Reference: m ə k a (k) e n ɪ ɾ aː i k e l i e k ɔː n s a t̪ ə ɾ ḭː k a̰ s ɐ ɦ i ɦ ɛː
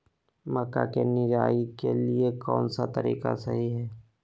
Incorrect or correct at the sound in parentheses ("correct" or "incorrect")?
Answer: correct